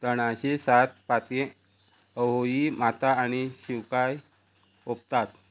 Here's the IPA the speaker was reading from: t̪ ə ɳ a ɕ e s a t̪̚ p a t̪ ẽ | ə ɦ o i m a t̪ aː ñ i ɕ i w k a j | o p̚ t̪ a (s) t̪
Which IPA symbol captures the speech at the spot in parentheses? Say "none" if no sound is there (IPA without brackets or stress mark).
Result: none